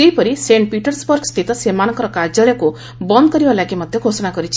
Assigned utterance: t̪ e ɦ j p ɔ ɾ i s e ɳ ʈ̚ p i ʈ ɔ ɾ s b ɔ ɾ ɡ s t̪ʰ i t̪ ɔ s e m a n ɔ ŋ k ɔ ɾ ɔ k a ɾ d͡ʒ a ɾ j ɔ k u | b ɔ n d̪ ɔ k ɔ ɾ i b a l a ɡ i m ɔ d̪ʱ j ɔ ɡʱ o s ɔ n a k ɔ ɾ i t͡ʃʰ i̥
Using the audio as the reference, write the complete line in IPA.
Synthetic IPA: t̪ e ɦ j p ɔ ɾ i s e ɳ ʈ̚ p i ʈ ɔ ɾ s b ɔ ɾ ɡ s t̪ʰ i t̪ ɔ s e m a n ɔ ŋ k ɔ ɾ ɔ k a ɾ d͡ʒ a ɭ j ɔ k u | b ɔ n d̪ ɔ k ɔ ɾ i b a l a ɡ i m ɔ d̪ʱ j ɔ ɡʱ o s ɔ n a k ɔ ɾ i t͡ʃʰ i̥